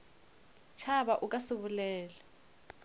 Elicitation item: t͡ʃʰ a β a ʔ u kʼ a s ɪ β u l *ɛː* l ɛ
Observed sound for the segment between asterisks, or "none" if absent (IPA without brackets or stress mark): ɛː